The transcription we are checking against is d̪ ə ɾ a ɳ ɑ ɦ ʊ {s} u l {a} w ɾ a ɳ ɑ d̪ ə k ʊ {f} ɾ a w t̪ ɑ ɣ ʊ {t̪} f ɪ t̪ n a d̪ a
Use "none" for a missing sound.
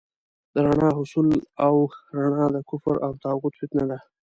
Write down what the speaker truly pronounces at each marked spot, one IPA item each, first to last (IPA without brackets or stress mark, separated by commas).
s, a, f, t̪